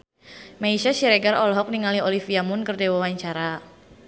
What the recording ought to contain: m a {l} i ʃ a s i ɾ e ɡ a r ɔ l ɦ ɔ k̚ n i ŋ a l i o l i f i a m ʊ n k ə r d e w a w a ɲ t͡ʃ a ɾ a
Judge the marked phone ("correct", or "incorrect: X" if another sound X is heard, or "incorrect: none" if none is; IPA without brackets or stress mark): incorrect: none